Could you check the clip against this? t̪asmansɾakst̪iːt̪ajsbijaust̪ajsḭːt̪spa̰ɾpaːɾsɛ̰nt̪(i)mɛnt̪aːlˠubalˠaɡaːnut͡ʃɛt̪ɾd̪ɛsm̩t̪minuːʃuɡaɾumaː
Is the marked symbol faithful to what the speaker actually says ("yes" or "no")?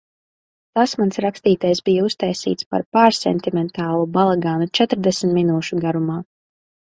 yes